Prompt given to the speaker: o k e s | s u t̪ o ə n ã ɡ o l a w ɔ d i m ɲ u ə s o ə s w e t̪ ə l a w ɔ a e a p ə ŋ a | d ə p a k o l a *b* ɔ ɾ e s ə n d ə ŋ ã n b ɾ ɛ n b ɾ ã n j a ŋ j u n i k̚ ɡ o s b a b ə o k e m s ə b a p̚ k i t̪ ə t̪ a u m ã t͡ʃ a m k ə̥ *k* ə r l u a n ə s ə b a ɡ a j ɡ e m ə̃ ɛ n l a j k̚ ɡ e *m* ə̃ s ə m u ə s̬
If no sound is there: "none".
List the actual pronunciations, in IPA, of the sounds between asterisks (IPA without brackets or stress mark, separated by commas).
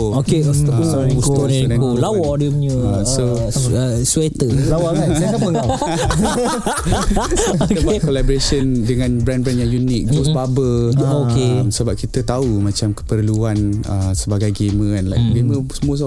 b, p, m